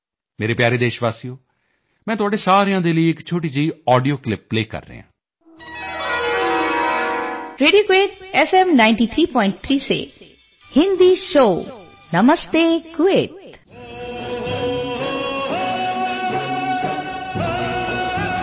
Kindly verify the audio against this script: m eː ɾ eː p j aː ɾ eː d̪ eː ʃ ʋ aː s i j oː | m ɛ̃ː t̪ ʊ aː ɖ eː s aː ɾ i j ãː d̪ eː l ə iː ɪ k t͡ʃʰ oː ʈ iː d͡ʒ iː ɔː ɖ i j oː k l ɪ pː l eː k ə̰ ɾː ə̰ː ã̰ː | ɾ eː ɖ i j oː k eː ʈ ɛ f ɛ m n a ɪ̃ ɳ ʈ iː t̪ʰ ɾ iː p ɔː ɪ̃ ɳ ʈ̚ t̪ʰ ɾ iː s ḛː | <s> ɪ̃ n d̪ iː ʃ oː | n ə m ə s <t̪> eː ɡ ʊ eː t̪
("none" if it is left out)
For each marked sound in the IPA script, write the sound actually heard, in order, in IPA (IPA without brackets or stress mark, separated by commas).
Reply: h, t̪